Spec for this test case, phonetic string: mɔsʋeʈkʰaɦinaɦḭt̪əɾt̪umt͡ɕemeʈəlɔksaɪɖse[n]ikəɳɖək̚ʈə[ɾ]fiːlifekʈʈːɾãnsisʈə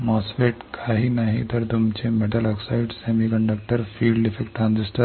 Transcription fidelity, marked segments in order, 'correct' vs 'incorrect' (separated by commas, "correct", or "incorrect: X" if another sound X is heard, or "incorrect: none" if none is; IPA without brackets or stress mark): incorrect: m, correct